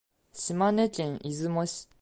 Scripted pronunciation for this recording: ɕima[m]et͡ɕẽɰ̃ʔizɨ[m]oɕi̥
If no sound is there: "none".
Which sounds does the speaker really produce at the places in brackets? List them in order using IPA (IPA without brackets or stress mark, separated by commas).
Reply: n, m